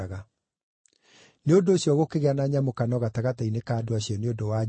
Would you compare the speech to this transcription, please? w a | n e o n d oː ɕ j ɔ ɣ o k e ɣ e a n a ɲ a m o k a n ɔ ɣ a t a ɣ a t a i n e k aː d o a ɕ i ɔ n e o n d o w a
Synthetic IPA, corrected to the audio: ɣ a | n e o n d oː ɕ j ɔ ɣ o k e ɣ e a n a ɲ a m o k a n ɔ ɣ a t a ɣ a t a i n e k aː d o a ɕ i ɔ n e o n d o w a